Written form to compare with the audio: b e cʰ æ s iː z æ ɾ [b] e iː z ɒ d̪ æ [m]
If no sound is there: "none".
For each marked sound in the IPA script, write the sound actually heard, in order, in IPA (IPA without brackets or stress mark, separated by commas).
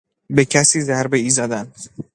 b, n